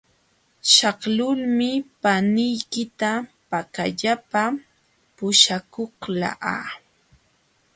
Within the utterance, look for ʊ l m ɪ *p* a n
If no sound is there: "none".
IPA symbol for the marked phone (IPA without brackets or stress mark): p